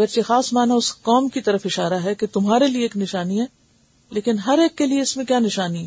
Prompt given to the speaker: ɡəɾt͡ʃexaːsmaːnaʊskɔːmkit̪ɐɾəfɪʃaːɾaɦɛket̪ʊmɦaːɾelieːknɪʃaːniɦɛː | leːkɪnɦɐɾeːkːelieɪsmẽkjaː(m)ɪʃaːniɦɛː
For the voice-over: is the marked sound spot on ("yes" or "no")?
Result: no